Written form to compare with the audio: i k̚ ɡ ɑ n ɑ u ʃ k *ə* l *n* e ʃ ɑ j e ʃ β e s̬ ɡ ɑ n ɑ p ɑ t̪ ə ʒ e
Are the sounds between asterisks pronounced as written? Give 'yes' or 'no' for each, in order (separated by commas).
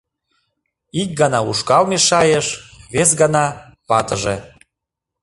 no, no